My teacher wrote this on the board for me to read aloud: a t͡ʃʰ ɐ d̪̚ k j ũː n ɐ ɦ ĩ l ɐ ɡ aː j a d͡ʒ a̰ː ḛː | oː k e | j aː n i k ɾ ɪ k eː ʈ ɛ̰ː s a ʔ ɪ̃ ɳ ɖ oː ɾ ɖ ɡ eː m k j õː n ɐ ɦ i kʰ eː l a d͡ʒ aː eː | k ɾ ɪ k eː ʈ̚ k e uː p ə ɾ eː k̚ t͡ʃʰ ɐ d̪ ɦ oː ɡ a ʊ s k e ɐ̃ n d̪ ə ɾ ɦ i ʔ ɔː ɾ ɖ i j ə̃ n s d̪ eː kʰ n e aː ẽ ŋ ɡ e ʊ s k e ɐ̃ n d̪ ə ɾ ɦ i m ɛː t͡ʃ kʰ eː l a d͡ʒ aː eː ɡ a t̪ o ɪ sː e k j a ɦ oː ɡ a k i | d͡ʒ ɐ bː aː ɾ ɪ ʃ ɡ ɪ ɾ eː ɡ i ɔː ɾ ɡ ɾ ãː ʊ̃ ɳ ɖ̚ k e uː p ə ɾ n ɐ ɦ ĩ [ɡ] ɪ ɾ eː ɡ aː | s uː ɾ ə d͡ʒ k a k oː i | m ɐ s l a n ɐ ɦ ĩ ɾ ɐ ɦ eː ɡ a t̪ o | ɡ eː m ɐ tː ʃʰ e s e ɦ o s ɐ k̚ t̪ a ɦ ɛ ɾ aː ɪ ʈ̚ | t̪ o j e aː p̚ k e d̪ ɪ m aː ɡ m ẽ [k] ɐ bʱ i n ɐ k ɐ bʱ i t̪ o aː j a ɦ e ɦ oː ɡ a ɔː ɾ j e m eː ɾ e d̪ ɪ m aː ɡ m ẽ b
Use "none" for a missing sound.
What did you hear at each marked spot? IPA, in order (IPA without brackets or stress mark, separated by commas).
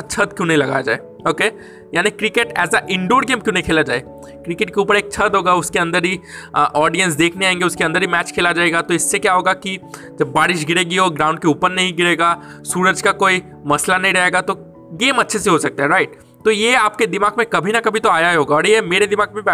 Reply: ɡ, k